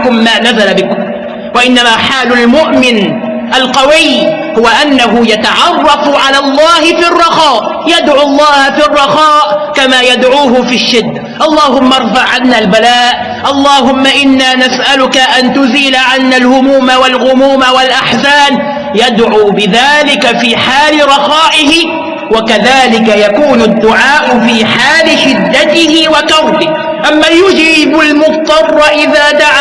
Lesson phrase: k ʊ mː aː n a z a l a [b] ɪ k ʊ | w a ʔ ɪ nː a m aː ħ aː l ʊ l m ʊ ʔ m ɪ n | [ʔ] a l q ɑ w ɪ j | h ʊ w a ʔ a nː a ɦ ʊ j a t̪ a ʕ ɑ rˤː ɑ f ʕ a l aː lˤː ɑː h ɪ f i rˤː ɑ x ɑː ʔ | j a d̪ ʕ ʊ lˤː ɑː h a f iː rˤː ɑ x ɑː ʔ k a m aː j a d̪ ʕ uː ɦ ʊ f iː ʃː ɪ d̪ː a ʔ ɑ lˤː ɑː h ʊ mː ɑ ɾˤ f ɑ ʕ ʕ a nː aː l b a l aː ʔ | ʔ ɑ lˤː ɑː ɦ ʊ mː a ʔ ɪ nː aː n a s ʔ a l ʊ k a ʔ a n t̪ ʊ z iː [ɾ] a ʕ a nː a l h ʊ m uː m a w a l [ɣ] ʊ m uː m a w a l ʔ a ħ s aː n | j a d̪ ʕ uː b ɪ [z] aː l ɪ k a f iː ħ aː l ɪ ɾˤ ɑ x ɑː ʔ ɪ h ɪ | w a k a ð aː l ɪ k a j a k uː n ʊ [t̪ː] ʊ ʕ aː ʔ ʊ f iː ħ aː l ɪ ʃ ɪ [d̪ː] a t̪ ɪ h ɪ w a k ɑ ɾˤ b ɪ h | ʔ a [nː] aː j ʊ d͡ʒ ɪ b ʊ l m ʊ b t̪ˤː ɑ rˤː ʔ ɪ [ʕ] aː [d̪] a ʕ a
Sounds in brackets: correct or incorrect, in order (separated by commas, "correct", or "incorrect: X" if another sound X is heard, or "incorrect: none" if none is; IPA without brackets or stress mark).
correct, correct, incorrect: l, correct, incorrect: ð, incorrect: d̪ː, correct, incorrect: mː, incorrect: ð, correct